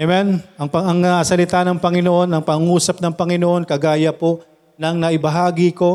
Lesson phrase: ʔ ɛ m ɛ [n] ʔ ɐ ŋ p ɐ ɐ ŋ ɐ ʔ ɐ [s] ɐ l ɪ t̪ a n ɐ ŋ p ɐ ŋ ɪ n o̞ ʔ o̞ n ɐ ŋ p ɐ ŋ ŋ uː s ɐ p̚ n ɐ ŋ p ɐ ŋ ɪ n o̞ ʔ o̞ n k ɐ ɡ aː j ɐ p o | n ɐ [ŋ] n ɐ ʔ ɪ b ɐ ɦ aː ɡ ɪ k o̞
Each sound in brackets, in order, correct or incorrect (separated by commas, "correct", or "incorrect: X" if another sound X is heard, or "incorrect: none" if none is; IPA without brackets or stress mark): correct, correct, correct